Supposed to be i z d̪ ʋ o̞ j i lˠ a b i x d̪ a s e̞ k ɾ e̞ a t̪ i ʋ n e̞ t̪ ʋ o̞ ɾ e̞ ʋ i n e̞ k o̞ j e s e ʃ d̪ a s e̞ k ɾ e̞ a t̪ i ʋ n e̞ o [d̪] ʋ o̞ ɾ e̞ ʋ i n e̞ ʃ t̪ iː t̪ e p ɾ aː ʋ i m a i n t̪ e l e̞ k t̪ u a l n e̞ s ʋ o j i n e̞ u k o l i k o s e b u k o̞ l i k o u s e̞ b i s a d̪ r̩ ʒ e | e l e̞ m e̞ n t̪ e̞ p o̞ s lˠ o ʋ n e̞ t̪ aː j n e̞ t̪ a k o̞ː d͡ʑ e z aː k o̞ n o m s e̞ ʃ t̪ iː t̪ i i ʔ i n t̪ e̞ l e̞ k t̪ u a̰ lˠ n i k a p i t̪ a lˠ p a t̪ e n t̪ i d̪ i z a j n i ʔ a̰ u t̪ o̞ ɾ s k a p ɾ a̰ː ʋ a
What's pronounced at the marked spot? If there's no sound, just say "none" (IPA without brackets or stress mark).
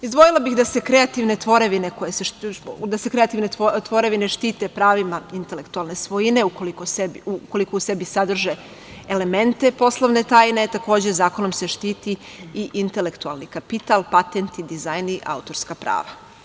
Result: t̪